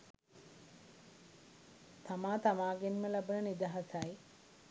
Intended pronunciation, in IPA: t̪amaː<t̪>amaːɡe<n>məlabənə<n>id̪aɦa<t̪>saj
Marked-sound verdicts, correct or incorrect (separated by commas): correct, correct, correct, incorrect